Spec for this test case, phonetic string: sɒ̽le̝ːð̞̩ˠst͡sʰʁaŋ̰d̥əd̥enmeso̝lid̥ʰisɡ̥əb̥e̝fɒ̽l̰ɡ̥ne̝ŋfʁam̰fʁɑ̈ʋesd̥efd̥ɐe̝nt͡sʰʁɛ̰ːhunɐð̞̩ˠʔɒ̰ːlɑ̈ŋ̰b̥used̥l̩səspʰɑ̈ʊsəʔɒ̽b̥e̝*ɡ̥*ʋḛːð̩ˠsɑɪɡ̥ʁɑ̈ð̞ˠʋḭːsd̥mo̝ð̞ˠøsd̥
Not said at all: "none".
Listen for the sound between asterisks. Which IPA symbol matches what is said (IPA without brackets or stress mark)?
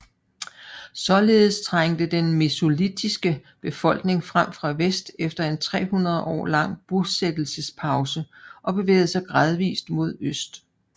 none